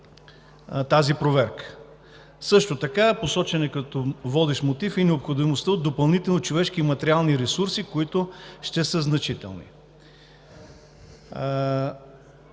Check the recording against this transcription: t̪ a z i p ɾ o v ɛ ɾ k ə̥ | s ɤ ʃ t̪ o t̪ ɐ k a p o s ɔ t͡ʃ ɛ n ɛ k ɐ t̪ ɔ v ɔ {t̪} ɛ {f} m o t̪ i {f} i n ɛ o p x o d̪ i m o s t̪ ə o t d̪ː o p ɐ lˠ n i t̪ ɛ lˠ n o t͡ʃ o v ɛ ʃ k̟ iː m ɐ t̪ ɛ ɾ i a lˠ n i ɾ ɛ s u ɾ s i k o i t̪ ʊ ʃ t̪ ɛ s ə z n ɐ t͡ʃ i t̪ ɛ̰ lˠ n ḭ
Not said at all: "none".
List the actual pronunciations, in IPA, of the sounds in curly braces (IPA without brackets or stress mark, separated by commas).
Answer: d̪, ʃ, f